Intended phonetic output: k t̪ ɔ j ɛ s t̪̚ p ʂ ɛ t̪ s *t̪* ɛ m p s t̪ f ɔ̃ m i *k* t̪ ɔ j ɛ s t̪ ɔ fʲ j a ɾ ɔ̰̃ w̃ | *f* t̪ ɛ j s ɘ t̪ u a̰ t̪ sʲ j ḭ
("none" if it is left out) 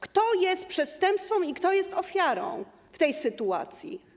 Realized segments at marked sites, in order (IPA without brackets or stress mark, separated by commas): t̪, k, f